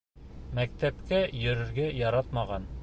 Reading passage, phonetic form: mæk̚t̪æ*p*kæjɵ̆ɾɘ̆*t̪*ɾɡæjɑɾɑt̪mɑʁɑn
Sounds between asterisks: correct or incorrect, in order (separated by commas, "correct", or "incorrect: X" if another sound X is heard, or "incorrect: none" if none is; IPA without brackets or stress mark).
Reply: correct, incorrect: none